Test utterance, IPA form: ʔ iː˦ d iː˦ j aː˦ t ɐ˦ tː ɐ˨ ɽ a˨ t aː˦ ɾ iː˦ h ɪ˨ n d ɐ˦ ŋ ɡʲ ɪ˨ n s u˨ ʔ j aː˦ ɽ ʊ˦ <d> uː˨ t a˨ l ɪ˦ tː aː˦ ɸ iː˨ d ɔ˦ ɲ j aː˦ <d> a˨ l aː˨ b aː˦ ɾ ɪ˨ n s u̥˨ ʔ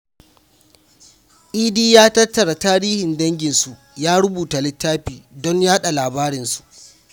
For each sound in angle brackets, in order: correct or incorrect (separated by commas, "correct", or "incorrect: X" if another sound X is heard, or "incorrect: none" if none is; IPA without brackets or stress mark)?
incorrect: b, incorrect: ɗ